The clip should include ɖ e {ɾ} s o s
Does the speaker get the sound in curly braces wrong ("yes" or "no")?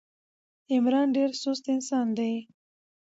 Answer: no